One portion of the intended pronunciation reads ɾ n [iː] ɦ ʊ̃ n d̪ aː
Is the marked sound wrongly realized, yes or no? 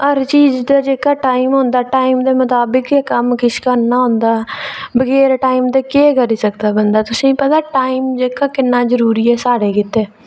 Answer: yes